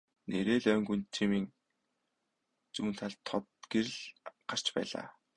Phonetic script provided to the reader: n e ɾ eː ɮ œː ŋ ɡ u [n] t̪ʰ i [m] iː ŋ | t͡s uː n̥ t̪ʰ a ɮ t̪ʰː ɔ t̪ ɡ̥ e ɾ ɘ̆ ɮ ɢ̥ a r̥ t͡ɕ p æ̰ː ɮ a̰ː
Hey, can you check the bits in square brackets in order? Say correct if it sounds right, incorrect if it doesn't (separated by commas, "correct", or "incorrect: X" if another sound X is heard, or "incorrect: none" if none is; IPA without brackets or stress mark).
correct, correct